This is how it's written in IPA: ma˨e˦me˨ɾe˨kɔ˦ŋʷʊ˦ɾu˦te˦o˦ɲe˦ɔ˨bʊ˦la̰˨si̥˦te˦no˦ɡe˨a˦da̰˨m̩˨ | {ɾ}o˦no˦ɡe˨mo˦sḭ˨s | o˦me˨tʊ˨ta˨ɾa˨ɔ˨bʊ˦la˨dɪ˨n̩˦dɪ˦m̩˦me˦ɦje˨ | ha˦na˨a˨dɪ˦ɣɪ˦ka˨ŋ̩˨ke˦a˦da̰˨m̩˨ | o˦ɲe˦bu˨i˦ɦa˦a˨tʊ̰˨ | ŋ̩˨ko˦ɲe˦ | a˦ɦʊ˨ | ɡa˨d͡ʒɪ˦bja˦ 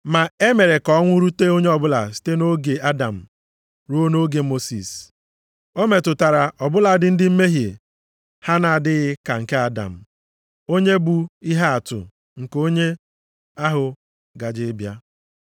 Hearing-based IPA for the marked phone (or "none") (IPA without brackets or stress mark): ɾ